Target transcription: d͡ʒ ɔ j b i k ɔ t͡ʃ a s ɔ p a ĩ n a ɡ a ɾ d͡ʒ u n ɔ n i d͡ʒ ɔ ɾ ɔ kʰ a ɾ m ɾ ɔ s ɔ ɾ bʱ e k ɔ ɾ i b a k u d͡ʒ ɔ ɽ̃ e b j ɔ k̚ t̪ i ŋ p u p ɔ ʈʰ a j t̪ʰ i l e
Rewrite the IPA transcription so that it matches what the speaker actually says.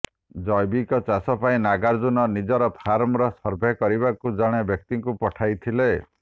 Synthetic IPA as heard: d͡ʒ ɔ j b i k ɔ t͡ʃ a s ɔ p a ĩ n a ɡ a ɾ d͡ʒ u n ɔ n i d͡ʒ ɔ ɾ ɔ pʰ a ɾ m ɾ ɔ s ɔ ɾ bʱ e k ɔ ɾ i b a k u d͡ʒ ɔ ɽ̃ e b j ɔ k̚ t̪ i ŋ k u p ɔ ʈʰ a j t̪ʰ i l e